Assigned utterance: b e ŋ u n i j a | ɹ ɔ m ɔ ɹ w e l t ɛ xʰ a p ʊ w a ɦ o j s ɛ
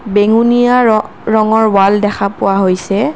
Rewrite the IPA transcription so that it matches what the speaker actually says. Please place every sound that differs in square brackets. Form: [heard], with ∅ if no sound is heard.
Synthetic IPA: b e ŋ u n i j a | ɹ ɔ [ŋ] ɔ ɹ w [a] l [d] ɛ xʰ a p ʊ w a ɦ o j s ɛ